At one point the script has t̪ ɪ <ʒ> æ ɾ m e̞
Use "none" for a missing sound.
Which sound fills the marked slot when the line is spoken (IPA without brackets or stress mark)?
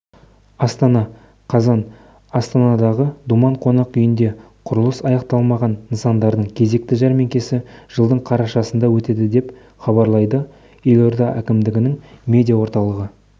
ʒ